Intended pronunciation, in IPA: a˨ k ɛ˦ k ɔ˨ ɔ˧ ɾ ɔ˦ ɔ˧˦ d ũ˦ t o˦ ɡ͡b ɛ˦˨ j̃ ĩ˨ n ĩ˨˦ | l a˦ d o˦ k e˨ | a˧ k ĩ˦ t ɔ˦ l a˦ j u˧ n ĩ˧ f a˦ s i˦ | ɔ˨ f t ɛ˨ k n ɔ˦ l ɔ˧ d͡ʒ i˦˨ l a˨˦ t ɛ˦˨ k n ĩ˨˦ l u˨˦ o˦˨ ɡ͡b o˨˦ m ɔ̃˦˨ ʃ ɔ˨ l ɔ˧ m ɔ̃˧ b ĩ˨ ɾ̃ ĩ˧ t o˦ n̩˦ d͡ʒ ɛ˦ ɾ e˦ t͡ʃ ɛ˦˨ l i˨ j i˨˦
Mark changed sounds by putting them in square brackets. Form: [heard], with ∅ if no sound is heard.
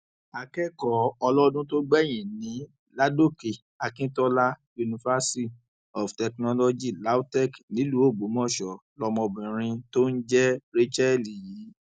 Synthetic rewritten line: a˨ k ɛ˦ k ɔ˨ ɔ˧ [l] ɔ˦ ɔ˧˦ d ũ˦ t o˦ ɡ͡b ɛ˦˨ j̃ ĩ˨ n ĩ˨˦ | l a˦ d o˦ k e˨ | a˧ k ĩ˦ t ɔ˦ l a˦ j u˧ n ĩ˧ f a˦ s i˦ | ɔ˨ f t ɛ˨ k n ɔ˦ l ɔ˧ d͡ʒ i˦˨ l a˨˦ t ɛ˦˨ k n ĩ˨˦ l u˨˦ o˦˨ ɡ͡b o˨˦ m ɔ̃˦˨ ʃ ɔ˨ l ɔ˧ m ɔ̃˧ b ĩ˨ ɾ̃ ĩ˧ t o˦ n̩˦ d͡ʒ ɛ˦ ɾ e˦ t͡ʃ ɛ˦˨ l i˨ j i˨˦